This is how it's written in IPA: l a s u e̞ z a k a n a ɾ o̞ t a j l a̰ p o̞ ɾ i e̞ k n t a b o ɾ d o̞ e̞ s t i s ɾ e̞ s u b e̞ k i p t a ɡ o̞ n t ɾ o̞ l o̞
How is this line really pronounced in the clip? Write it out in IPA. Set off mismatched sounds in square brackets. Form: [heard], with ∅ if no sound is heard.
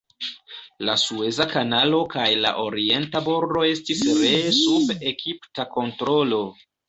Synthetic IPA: l a s u e̞ z a k a n a [l] o̞ [k] a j l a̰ [ʔ] o̞ ɾ i e̞ [∅] n t a b o ɾ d o̞ e̞ s t i s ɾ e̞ s u b e̞ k i p t a [k] o̞ n t ɾ o̞ l o̞